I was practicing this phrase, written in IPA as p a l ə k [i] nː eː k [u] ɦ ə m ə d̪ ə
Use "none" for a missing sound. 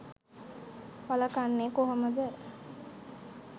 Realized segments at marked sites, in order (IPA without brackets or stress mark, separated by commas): a, o